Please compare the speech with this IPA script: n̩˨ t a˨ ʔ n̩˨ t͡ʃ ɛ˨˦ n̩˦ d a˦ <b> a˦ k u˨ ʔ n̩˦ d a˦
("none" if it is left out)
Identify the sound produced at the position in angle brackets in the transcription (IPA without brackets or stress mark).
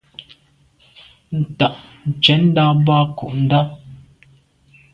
b